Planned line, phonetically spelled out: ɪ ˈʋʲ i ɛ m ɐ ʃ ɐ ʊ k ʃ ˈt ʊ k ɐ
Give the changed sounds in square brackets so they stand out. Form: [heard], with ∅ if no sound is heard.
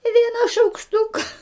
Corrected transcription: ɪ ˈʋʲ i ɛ [n] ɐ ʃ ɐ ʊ k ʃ ˈt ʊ k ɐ